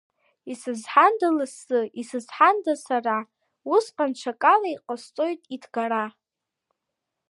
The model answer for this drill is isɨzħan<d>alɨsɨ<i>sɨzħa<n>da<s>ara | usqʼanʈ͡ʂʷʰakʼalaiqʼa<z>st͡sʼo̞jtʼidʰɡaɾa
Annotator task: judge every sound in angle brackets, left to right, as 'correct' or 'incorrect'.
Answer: correct, correct, correct, correct, incorrect

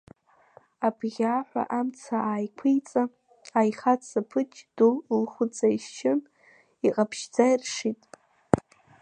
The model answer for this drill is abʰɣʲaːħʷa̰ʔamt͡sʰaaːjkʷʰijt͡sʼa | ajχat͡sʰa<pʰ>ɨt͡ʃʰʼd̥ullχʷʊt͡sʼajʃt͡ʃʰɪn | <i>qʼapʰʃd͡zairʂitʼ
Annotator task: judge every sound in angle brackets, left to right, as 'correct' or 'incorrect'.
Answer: correct, correct

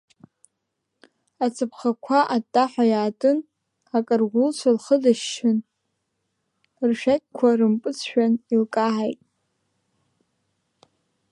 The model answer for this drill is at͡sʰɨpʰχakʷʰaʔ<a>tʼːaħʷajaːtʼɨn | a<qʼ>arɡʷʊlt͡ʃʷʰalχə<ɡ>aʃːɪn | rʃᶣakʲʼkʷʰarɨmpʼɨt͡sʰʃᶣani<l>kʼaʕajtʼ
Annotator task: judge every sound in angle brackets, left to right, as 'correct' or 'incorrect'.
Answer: correct, incorrect, incorrect, correct

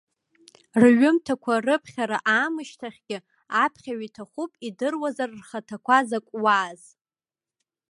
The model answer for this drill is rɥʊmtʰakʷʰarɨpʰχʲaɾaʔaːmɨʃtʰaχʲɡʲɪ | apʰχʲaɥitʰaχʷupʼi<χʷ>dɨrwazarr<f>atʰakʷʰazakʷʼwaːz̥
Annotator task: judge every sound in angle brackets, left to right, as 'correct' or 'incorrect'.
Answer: incorrect, incorrect

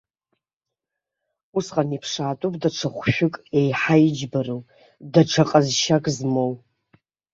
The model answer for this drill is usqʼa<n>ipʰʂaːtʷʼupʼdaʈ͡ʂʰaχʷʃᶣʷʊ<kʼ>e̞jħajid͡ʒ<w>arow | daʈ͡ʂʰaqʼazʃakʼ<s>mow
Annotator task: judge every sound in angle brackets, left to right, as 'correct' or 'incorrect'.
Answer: correct, correct, incorrect, incorrect

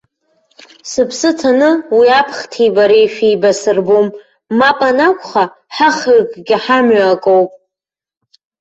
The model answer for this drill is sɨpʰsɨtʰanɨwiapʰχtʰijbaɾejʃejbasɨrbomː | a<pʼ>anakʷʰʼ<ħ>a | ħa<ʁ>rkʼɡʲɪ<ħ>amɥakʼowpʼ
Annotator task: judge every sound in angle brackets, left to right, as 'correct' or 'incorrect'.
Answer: correct, incorrect, incorrect, correct

